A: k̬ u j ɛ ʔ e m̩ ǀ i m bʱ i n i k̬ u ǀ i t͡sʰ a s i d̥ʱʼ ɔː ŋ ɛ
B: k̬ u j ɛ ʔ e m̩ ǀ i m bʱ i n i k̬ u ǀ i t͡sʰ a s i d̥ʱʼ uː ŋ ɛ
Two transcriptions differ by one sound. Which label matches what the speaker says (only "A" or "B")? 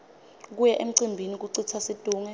B